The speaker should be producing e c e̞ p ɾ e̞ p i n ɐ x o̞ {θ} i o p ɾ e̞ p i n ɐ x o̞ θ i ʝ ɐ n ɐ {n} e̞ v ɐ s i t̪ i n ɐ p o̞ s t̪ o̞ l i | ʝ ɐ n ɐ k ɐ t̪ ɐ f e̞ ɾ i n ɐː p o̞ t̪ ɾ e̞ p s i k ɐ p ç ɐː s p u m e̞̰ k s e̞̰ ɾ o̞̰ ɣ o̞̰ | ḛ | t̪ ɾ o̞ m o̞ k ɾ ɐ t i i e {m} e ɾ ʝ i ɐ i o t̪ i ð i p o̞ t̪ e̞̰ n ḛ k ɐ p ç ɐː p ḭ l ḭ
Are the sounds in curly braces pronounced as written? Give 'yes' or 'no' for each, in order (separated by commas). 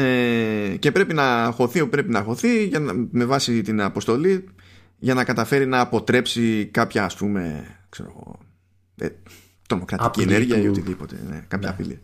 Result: yes, no, no